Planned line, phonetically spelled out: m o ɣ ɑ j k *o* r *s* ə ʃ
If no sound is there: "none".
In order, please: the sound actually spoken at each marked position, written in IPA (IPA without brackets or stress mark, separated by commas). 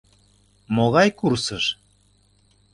u, s